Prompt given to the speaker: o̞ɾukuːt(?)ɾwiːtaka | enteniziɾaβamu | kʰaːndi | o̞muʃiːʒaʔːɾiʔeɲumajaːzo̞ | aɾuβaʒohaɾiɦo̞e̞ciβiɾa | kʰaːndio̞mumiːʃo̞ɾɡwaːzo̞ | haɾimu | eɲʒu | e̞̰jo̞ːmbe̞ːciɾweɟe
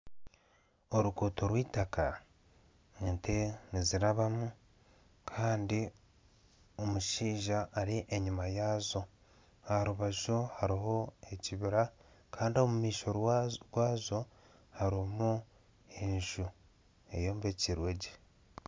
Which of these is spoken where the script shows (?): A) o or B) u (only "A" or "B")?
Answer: A